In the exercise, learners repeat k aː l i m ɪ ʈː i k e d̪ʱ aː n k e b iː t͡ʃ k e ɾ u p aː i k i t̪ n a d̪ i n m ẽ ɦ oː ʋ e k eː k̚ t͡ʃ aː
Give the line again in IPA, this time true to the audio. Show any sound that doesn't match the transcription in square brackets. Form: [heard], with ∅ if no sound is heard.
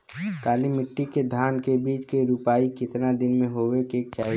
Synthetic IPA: k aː l i m ɪ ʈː i k e d̪ʱ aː n k e b iː t͡ʃ k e ɾ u p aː i k [ɪ] t̪ n a d̪ [ɪ] n m ẽ ɦ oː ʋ e k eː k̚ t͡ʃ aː